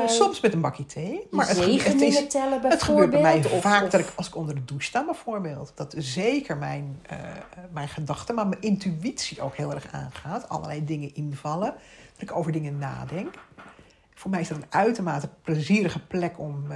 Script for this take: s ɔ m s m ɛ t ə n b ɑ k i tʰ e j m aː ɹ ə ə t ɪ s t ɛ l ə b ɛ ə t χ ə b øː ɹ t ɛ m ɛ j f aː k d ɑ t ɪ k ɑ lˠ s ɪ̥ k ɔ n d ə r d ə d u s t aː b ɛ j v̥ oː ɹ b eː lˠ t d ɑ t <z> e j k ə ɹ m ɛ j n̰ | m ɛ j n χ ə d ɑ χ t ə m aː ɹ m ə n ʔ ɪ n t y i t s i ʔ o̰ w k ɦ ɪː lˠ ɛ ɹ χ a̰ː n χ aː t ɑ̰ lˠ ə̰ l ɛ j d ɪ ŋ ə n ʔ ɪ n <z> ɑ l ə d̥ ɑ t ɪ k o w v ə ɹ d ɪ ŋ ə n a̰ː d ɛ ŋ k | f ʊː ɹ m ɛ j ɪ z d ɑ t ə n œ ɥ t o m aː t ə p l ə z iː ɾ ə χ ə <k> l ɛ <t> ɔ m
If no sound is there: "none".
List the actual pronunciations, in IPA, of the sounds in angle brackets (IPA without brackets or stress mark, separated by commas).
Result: z, v, p, k